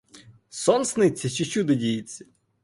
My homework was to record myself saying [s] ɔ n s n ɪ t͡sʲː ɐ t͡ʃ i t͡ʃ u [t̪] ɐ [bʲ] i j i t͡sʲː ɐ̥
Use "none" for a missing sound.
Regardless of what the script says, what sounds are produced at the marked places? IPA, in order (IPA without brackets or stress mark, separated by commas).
s, d̪, dʲ